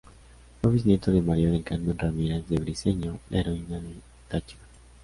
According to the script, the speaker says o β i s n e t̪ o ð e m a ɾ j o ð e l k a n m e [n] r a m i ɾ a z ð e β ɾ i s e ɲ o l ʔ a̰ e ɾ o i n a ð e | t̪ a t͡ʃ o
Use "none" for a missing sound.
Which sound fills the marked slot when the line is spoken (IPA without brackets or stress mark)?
n